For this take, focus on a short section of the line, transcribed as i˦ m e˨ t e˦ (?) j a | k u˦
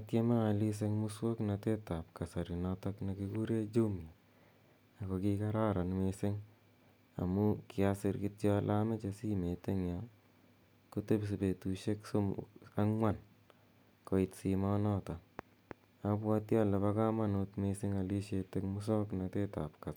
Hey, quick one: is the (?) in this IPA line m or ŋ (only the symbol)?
ŋ